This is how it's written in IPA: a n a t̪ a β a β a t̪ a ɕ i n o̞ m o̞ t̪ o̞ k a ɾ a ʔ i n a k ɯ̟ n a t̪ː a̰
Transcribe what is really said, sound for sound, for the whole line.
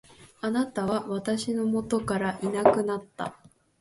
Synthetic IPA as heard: a n a t̪ a β a β a t̪ a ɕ i n o̞ m o̞ t̪ o̞ k a ɾ a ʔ i n a k ɯ̟ n a t̪ː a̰